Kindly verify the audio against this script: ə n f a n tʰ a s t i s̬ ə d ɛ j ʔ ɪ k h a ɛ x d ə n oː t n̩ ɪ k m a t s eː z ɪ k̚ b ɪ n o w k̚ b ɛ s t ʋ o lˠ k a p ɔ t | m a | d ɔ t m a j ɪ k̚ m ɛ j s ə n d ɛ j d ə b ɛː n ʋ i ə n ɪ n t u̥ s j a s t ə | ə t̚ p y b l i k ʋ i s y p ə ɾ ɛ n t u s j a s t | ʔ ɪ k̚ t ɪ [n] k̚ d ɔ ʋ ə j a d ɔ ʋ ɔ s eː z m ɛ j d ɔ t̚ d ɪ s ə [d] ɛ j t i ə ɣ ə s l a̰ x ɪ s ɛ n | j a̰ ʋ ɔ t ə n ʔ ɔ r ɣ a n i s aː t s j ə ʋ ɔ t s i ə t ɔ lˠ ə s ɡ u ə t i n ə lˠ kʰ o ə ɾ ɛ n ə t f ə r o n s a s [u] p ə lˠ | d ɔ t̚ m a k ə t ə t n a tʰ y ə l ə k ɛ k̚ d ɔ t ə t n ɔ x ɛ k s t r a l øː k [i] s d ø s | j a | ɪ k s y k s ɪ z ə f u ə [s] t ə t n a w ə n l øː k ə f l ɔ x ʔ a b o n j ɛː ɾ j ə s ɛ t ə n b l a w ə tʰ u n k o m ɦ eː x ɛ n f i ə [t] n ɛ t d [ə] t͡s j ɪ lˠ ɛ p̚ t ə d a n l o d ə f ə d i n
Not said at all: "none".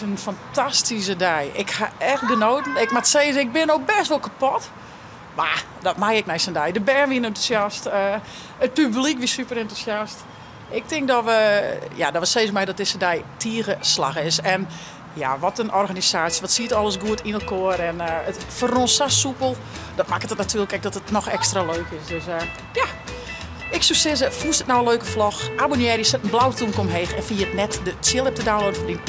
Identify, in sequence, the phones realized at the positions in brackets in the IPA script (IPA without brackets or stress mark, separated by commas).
ŋ, d, u, ɪ, s, t, ə